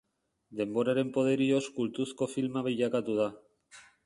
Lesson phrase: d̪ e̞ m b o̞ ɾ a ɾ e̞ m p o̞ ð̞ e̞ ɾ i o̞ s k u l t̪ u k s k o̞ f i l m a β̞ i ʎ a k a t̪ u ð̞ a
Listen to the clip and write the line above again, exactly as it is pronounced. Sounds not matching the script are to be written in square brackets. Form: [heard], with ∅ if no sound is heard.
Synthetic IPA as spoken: d̪ e̞ m b o̞ ɾ a ɾ e̞ m p o̞ ð̞ e̞ ɾ i o̞ s k u l t̪ u [∅] s k o̞ f i l m a β̞ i ʎ a k a t̪ u ð̞ a